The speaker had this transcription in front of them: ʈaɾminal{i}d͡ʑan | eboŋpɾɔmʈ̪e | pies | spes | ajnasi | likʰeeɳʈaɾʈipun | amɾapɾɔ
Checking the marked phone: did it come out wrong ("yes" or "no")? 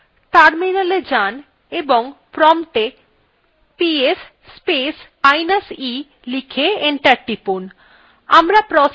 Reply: yes